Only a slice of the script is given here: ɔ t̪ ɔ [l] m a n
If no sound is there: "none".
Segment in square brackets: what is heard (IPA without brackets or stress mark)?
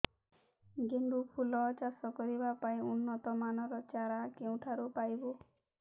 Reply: none